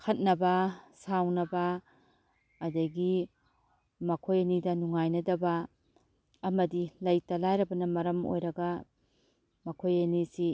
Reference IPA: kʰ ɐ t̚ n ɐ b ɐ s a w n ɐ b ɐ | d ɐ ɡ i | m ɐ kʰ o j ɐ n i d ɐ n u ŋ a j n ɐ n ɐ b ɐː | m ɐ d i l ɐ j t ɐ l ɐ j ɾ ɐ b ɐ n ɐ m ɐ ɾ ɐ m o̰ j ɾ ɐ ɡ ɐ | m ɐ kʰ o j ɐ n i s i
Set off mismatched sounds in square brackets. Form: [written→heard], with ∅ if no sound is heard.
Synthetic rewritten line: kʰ ɐ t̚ n ɐ b ɐ s a w n ɐ b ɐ | d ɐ ɡ i | m ɐ kʰ o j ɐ n i d ɐ n u ŋ a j n ɐ [n→d] ɐ b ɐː | m ɐ d i l ɐ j t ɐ l [ɐ→a] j ɾ ɐ b ɐ n ɐ m ɐ ɾ ɐ m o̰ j ɾ ɐ ɡ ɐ | m ɐ kʰ o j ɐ n i s i